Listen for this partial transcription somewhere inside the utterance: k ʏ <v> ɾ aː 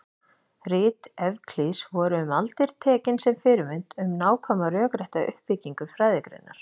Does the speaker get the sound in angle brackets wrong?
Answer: yes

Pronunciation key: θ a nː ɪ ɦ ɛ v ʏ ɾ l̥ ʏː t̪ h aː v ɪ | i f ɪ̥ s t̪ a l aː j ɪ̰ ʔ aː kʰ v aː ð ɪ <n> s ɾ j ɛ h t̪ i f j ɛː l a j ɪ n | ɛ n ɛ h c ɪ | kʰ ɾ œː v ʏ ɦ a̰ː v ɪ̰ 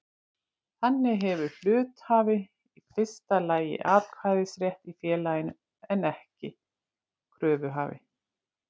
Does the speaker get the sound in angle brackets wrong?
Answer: yes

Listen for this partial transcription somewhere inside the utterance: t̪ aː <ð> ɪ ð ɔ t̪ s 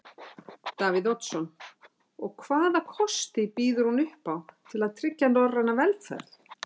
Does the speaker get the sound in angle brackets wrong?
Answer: yes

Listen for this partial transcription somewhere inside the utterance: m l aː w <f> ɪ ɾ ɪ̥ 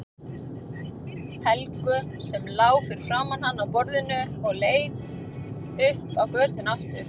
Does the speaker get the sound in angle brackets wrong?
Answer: no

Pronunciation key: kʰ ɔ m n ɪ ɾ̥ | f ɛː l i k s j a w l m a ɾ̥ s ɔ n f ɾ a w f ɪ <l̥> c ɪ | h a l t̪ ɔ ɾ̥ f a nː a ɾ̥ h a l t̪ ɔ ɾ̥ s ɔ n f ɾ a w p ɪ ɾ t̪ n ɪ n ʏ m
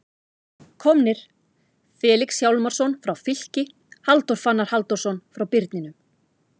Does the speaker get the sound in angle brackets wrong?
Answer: no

